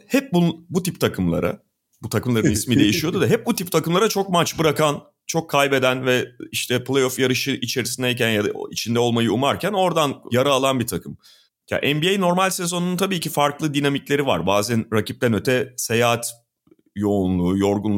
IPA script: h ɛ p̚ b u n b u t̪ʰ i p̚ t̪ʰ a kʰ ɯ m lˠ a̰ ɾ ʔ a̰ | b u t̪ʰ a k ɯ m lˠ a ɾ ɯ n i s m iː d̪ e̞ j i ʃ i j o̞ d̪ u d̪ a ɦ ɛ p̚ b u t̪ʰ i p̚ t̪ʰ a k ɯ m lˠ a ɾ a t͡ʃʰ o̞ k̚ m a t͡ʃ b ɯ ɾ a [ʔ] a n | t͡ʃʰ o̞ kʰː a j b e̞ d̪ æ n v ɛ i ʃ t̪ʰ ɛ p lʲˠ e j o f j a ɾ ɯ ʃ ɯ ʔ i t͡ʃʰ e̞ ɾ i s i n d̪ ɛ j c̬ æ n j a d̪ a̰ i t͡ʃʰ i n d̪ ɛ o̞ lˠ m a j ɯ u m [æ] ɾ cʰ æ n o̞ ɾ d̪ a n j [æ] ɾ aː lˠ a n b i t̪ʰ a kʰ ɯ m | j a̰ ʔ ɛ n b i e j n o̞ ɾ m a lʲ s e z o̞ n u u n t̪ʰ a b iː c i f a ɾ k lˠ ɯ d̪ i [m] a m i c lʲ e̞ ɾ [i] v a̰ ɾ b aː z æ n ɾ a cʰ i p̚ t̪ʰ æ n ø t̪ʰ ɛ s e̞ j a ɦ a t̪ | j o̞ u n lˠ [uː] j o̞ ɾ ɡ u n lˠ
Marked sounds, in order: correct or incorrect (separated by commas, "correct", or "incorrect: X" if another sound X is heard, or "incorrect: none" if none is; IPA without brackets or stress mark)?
incorrect: k, incorrect: a, incorrect: a, incorrect: n, correct, correct